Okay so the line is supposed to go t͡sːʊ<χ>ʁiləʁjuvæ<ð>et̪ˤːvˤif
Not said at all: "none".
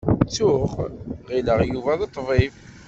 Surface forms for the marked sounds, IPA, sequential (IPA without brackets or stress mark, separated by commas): χ, ð